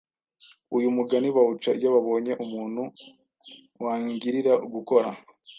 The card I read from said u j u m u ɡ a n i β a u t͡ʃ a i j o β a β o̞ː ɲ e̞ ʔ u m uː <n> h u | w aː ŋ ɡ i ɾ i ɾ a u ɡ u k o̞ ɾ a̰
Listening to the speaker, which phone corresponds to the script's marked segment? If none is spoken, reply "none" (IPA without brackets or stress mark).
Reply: n